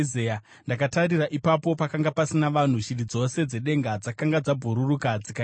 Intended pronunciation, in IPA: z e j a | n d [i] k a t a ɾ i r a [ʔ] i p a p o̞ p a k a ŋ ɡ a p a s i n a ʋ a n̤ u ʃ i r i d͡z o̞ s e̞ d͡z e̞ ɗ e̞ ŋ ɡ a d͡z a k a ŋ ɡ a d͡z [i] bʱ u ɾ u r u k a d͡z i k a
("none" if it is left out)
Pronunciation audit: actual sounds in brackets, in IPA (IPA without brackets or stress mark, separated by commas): a, ʔ, a